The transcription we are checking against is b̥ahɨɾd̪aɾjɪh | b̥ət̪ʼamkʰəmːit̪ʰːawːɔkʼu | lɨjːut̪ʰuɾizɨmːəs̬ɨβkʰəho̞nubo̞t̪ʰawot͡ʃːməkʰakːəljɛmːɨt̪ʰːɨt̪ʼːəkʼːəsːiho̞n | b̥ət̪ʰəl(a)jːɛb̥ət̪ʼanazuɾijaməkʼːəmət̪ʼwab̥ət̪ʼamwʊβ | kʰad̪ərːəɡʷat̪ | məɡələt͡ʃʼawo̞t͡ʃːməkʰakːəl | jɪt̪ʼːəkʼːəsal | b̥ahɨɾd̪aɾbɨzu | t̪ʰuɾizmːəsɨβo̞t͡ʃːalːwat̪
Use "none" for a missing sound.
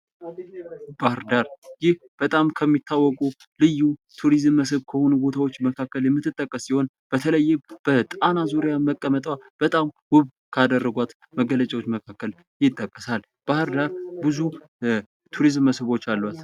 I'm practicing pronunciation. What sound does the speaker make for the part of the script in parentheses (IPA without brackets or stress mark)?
ə